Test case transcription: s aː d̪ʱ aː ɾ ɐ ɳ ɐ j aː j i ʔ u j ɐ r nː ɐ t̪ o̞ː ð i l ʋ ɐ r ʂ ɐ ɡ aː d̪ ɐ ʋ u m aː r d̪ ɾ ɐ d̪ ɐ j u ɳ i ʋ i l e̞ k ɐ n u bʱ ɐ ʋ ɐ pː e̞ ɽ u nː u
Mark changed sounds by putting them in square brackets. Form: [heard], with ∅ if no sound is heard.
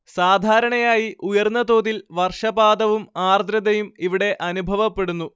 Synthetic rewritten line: s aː d̪ʱ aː ɾ ɐ ɳ ɐ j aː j i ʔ u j ɐ r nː ɐ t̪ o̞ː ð i l ʋ ɐ r ʂ ɐ [b] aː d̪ ɐ ʋ u m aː r d̪ ɾ ɐ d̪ ɐ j u [m] i ʋ i [ɽ] e̞ [ʔ] ɐ n u bʱ ɐ ʋ ɐ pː e̞ ɽ u nː u